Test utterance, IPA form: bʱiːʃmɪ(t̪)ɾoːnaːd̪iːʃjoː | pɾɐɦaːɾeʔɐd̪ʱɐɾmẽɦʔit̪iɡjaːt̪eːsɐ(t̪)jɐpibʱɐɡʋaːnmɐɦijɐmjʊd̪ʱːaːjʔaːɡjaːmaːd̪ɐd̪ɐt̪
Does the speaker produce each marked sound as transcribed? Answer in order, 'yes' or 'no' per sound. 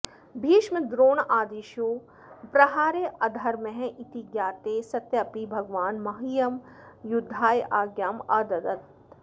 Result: no, yes

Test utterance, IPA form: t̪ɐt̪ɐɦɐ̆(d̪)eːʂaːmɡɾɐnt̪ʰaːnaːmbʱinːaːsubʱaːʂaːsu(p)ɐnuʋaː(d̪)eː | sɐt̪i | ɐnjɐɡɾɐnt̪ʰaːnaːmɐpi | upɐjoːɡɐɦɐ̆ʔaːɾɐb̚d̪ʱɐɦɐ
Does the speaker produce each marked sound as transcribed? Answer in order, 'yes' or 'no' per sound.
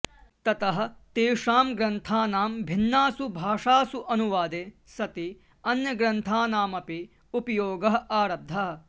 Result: no, no, yes

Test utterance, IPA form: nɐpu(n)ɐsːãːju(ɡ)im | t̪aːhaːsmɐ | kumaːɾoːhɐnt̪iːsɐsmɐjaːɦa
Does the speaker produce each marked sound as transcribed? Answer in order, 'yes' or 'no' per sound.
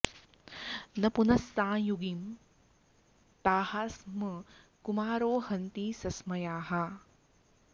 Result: yes, yes

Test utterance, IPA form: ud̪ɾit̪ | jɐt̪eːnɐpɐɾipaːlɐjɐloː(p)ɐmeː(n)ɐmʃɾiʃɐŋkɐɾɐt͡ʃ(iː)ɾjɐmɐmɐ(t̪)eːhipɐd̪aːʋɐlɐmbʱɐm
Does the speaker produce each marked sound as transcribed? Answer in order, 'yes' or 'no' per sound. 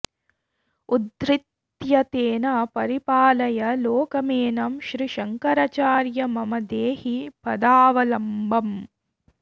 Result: no, yes, no, no

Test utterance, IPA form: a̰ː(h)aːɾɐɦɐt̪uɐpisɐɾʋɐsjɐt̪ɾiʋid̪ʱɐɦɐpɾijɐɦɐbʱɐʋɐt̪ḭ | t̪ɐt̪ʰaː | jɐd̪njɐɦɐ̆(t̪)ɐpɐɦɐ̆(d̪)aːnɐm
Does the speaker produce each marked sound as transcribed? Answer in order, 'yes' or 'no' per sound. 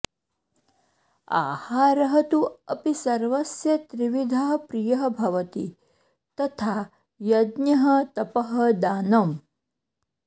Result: yes, yes, yes

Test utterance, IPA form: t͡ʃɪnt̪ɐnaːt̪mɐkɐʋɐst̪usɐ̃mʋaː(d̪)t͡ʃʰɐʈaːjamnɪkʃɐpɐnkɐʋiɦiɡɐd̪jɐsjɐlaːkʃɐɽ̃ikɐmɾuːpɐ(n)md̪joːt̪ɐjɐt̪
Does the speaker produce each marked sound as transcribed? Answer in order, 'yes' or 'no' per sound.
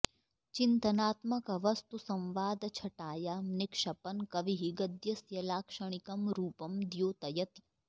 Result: yes, no

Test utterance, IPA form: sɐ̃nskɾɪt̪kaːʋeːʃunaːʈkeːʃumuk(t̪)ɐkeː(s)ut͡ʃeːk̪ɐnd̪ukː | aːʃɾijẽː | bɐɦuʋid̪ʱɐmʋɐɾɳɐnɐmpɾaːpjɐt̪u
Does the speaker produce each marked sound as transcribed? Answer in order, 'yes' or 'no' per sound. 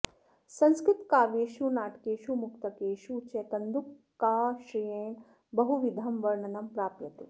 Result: yes, no

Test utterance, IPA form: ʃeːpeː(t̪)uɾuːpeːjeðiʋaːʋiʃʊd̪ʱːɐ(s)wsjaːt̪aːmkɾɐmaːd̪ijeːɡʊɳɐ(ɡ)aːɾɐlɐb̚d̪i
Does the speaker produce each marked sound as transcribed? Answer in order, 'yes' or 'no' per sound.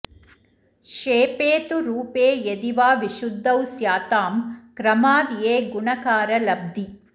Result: yes, no, no

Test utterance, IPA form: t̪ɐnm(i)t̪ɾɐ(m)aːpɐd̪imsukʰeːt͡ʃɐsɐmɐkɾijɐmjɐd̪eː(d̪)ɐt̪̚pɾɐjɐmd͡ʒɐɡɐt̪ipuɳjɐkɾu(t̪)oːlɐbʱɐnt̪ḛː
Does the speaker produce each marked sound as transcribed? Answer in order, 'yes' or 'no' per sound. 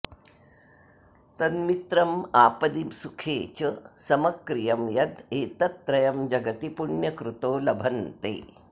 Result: yes, yes, no, yes

